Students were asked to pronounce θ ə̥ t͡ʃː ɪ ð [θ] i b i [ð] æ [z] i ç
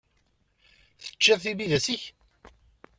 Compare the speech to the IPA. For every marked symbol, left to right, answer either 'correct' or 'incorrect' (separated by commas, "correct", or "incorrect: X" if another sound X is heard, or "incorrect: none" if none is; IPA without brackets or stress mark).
correct, correct, incorrect: s